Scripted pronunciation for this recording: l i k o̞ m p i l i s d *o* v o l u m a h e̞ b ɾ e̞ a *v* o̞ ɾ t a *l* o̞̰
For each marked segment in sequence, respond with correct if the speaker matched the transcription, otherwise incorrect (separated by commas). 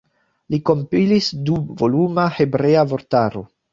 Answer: incorrect, correct, incorrect